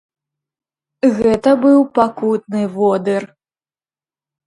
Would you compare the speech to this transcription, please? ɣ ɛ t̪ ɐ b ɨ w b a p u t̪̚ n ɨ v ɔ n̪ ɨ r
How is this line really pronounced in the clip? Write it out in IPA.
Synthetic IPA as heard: ɣ ɛ t̪ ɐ b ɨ w p a k u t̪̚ n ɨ v ɔ d̪ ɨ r